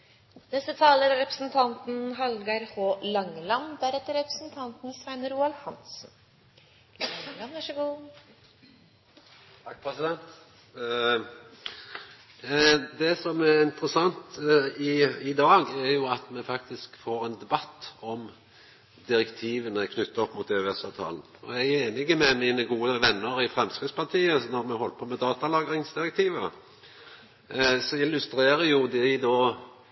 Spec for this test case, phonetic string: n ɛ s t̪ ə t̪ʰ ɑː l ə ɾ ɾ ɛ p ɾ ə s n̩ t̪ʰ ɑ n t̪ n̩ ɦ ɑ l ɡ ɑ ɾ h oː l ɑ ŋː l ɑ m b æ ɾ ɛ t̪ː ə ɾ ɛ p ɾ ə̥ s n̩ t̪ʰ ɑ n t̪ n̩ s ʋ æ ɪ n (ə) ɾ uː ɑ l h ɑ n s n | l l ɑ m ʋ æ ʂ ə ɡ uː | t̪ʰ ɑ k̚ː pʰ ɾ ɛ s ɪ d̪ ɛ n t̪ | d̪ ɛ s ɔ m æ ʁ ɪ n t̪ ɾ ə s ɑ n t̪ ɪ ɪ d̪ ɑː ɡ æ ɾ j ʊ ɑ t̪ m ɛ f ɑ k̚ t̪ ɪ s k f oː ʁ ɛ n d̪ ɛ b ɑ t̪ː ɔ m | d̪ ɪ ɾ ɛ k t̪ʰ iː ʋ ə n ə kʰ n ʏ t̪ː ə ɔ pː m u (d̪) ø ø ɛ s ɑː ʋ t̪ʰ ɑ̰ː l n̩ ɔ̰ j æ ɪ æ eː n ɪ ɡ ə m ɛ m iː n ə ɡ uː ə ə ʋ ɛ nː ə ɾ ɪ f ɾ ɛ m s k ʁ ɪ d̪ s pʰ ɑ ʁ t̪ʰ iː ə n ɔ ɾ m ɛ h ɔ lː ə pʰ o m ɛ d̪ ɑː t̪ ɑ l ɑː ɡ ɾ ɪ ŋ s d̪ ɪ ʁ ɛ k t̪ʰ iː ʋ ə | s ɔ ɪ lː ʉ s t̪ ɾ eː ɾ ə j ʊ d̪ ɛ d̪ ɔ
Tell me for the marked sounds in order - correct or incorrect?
correct, incorrect: t̪

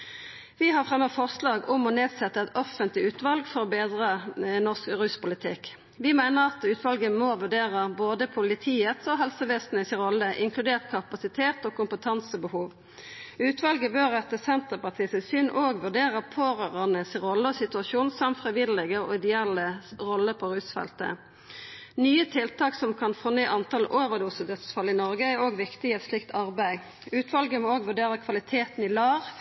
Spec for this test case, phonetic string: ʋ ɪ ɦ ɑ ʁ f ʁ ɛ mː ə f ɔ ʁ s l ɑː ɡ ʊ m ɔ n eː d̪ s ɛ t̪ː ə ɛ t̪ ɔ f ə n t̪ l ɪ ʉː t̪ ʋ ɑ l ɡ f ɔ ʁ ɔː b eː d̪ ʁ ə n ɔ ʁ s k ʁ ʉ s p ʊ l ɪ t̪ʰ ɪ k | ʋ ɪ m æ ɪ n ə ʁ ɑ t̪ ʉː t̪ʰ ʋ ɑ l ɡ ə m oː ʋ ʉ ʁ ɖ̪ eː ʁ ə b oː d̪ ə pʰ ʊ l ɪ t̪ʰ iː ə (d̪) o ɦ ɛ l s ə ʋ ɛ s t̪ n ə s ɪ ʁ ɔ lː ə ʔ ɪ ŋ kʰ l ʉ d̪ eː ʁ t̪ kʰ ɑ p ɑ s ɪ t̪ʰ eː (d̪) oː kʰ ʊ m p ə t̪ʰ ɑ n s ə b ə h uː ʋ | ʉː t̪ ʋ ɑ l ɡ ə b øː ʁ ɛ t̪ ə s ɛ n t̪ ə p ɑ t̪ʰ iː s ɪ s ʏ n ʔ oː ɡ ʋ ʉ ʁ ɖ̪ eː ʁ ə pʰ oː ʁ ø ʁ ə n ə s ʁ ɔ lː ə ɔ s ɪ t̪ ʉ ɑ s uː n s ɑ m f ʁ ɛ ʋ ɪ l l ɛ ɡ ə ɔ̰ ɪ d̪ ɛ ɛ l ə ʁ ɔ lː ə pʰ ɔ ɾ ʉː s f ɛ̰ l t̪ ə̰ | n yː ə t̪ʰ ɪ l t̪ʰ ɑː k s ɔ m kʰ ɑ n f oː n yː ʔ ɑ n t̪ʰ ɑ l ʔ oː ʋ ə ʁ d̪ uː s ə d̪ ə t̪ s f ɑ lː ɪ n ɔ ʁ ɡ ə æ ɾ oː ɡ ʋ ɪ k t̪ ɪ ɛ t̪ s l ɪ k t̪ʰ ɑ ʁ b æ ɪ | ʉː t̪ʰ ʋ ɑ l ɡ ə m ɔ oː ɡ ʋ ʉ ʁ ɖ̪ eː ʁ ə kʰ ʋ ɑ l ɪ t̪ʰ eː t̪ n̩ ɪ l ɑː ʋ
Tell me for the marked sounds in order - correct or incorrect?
incorrect: t̪, incorrect: t̪

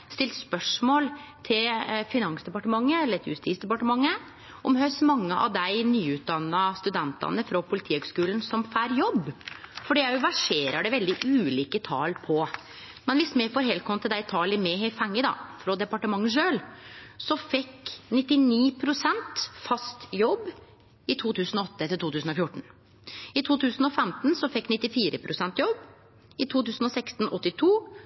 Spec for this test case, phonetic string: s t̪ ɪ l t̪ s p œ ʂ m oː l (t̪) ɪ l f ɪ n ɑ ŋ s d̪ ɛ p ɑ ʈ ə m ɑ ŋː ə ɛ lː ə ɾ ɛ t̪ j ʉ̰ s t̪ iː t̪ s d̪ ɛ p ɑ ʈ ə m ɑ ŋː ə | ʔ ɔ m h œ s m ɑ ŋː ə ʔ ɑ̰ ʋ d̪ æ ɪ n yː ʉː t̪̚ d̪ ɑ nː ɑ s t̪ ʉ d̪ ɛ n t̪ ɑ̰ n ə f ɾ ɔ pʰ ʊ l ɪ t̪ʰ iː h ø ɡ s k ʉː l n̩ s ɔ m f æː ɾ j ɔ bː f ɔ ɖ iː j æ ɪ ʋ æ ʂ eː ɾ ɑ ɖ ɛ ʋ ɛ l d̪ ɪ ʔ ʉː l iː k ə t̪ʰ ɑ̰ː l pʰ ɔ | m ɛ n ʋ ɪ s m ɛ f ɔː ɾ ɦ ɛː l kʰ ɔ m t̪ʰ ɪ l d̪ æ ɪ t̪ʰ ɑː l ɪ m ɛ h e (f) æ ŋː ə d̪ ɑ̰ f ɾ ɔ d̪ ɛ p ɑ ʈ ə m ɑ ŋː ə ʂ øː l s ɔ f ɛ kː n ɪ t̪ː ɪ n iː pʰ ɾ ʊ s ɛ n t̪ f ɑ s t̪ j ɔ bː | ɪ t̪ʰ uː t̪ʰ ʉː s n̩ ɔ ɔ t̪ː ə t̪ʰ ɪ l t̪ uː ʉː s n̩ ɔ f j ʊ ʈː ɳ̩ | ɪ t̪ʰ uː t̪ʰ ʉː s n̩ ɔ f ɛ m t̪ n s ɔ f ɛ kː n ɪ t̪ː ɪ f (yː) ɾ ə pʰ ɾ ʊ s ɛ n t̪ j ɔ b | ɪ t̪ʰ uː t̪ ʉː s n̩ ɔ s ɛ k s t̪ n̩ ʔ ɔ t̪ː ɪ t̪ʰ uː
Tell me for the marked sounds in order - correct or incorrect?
incorrect: t̪ʰ, correct, incorrect: iː

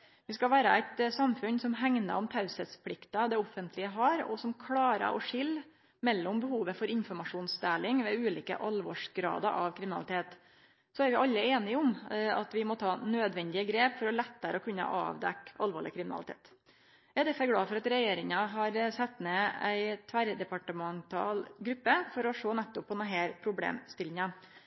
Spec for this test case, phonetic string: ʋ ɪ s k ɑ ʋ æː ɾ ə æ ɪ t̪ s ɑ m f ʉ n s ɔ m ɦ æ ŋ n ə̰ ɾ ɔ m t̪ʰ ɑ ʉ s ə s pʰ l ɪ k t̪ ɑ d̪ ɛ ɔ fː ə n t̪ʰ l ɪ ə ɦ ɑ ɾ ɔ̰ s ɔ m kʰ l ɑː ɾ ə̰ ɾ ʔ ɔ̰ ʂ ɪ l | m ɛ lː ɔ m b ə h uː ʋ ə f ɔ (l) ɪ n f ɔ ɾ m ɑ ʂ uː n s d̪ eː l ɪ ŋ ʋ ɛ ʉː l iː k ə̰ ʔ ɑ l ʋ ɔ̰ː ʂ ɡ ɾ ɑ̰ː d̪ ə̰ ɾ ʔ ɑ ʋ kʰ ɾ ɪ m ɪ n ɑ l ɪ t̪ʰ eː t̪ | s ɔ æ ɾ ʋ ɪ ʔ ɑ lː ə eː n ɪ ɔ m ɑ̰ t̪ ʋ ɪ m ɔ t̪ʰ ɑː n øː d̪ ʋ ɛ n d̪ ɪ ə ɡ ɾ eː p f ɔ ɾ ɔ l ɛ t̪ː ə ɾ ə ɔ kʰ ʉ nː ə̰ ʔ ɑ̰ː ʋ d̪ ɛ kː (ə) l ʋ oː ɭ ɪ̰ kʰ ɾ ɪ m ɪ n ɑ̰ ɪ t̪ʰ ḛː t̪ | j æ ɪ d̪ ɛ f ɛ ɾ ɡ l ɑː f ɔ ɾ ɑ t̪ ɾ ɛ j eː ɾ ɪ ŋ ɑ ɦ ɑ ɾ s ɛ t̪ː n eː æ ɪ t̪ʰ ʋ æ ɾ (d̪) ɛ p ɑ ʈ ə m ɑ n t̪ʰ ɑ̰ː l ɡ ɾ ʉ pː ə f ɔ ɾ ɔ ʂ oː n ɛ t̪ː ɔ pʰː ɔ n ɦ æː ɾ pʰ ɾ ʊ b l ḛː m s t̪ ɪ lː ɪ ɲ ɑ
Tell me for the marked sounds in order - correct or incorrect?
incorrect: ɾ, incorrect: ɑ, correct

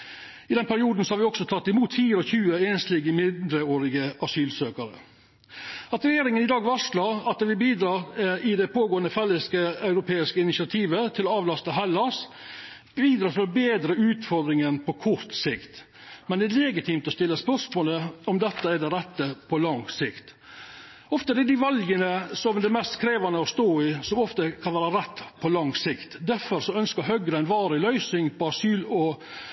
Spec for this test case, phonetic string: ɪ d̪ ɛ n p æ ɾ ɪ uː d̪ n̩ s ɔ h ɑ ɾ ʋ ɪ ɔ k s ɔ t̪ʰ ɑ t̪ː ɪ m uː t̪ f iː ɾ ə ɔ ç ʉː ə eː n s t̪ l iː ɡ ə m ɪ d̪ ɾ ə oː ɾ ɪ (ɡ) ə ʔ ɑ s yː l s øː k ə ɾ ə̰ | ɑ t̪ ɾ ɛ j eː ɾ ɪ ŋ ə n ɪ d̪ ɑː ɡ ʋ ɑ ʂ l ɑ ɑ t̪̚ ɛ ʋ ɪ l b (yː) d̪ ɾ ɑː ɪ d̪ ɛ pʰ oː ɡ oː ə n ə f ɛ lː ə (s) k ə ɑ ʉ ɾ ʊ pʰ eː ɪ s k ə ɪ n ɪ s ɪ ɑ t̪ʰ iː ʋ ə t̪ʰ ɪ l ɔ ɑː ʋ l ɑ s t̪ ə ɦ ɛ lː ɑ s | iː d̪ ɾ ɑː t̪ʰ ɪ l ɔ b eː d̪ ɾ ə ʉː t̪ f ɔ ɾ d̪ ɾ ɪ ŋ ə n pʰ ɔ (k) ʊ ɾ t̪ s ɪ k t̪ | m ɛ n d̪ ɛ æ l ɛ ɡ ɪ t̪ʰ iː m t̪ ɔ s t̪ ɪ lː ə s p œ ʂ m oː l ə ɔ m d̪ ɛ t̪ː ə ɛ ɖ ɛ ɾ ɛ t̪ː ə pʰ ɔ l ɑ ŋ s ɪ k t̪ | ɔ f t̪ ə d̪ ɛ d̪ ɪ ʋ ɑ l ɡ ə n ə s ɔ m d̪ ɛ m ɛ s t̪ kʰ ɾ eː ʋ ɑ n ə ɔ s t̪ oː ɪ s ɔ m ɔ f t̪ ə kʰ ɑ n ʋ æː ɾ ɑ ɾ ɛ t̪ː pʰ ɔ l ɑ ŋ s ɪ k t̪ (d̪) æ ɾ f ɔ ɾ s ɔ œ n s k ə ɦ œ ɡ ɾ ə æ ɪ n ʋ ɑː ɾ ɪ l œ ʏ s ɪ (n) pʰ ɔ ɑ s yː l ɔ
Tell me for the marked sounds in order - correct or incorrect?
correct, incorrect: iː, correct, incorrect: kʰ, correct, incorrect: ŋ

